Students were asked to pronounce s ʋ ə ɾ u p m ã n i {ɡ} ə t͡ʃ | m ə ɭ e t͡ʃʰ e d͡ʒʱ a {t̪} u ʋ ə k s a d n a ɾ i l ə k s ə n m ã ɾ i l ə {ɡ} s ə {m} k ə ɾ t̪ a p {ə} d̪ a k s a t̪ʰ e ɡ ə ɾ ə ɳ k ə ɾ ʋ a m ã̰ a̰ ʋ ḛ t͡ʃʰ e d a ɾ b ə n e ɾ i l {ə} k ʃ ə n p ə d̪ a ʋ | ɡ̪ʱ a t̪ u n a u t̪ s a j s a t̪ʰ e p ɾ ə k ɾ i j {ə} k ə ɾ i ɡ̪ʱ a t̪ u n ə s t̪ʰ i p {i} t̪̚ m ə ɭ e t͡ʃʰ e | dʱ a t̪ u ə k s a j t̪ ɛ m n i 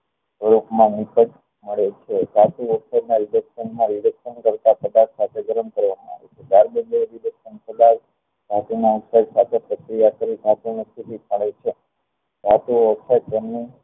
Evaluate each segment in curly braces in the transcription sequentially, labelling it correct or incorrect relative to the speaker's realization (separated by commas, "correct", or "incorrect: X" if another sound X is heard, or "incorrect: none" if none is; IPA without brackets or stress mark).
incorrect: k, correct, incorrect: k, incorrect: n, correct, correct, incorrect: a, correct